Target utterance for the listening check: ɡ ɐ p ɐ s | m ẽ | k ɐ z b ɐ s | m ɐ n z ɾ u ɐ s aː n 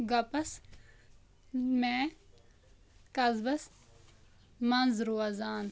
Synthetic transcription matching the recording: ɡ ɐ p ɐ s | m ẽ | k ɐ z b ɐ s | m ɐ n z ɾ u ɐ z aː n